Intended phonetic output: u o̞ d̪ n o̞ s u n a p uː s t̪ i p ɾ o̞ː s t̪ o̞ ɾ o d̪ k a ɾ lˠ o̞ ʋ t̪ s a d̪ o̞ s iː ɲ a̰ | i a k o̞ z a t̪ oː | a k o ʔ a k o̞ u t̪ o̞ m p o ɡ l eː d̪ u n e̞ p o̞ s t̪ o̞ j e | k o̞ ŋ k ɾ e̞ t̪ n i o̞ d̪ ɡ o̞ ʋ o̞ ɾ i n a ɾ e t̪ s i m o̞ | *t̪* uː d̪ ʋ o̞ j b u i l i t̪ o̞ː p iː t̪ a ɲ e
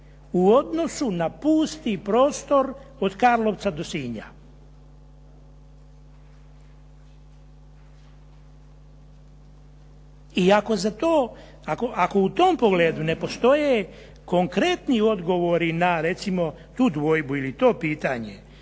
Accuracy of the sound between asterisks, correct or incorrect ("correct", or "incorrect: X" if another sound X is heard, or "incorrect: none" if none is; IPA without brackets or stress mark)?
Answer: correct